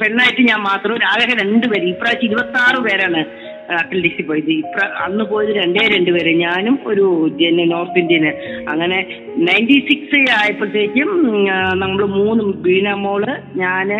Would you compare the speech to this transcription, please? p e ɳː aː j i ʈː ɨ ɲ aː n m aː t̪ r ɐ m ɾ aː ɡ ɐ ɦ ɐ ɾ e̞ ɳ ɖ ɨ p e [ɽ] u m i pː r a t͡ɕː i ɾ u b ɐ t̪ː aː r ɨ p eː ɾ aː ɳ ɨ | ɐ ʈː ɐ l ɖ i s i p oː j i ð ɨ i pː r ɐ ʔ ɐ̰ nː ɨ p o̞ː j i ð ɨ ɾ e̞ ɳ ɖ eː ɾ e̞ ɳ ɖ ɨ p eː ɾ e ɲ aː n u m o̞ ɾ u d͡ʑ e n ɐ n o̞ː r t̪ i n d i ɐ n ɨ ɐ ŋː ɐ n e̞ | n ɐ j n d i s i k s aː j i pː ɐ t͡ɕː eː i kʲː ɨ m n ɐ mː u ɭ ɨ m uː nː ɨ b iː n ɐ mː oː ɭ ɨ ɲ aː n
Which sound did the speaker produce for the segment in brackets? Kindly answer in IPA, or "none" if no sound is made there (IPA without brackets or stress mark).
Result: ɾ